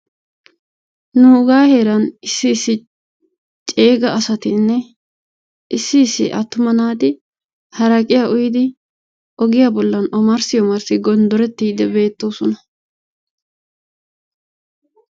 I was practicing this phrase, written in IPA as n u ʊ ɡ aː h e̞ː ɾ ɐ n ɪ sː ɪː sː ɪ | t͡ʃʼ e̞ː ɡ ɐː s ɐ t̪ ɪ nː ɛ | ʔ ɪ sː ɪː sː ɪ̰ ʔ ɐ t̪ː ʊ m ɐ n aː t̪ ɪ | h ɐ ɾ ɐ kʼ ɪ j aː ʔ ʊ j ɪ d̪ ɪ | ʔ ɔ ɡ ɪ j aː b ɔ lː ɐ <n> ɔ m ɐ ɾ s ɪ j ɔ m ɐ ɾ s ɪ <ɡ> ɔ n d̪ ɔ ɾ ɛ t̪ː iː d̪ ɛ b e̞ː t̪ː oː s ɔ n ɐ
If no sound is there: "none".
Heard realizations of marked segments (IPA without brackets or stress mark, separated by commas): n, ɡ